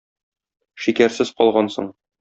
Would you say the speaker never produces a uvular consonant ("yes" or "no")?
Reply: no